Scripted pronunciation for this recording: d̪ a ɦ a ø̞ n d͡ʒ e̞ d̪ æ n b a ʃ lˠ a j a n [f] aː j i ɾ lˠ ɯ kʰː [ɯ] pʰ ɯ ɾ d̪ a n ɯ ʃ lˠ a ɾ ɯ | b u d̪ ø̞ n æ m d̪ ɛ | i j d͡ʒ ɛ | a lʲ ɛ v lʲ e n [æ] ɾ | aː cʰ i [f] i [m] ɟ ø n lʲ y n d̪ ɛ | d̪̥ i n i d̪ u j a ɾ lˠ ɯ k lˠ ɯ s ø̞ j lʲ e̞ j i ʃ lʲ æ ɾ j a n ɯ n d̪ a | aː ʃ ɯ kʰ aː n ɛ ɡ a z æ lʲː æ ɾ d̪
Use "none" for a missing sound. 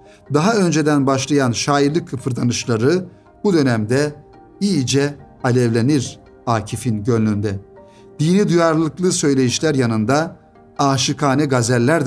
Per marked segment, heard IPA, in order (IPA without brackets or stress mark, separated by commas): ʃ, ɯ, i, f, n